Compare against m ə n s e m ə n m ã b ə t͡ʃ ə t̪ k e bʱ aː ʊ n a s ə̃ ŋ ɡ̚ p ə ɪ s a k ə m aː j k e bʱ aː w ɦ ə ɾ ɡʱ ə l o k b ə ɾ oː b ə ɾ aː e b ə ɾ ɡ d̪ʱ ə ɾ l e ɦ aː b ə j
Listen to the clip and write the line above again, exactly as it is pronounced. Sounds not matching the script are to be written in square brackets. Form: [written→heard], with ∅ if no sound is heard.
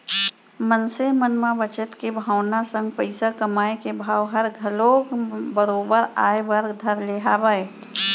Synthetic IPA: m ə n s e m ə n m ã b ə t͡ʃ ə t̪ k e bʱ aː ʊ n a s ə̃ ŋ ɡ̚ p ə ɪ s a k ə m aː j k e bʱ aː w ɦ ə ɾ ɡʱ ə l o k b ə ɾ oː b ə ɾ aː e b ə ɾ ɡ d̪ʱ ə ɾ l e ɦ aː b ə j